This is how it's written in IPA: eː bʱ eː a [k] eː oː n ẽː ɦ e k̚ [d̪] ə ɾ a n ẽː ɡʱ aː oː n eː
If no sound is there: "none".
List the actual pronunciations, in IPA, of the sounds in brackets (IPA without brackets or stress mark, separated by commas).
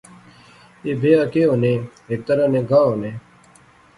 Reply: k, t̪